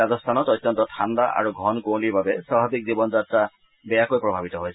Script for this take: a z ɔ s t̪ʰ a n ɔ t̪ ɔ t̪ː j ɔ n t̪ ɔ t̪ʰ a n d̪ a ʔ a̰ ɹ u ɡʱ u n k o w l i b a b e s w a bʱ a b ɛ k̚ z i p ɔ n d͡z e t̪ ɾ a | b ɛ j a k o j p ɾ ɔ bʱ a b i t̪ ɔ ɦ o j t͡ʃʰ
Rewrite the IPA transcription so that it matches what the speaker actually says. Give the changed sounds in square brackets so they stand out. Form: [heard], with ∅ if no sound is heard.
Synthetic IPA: a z ɔ s t̪ʰ a n ɔ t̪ ɔ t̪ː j ɔ n t̪ ɔ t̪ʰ a n d̪ a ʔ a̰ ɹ u ɡʱ [ɔ] n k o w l i b a b e s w a bʱ a b [i] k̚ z i [b] ɔ n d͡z [a] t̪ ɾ a | b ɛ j a k o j p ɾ ɔ bʱ a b i t̪ ɔ ɦ o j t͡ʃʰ